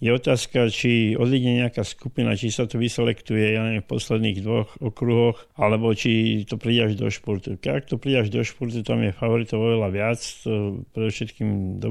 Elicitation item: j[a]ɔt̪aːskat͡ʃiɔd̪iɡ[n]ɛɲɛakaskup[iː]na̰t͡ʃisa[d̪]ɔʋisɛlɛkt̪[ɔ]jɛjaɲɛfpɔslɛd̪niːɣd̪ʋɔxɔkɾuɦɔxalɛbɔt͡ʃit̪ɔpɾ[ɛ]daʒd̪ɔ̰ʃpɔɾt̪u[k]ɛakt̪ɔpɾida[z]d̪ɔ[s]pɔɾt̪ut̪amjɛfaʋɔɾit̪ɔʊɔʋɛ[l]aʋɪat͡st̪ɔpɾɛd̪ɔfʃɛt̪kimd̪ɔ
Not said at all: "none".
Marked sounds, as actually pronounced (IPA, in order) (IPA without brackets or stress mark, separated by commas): ɛ, ɲ, i, t̪, u, i, k, ʒ, ʃ, l